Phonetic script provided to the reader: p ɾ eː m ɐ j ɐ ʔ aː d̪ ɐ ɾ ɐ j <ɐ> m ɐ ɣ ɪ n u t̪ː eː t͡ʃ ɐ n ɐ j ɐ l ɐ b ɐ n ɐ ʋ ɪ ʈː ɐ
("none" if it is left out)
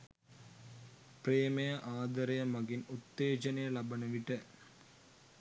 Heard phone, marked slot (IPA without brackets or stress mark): ɐ